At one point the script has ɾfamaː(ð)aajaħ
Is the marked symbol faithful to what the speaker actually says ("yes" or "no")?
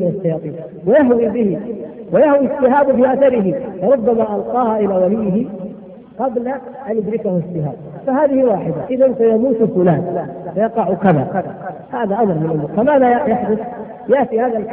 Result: yes